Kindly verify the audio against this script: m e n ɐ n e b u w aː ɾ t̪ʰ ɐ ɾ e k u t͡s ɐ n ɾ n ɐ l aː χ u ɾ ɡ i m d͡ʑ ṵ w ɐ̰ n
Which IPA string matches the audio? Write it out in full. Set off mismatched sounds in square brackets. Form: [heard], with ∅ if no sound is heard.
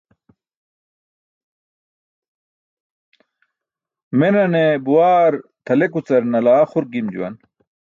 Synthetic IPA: m e n ɐ n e b u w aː ɾ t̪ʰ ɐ [l] e k u t͡s ɐ [∅] ɾ n ɐ l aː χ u ɾ ɡ i m d͡ʑ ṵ w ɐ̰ n